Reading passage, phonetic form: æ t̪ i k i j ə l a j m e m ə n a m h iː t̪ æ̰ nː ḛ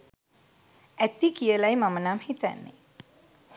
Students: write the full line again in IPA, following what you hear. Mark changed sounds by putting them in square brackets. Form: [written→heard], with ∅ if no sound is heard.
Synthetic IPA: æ t̪ i k i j ə l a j m [e→a] m ə n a m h [iː→i] t̪ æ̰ nː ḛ